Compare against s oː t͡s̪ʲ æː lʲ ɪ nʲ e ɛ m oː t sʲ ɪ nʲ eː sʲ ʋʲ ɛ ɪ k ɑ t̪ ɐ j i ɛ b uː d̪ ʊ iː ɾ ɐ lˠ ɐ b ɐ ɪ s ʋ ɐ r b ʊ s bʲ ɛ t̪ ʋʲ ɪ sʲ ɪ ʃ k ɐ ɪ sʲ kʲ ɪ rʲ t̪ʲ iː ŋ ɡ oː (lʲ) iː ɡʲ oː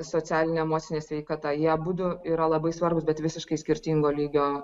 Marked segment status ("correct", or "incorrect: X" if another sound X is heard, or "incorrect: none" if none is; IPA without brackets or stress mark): correct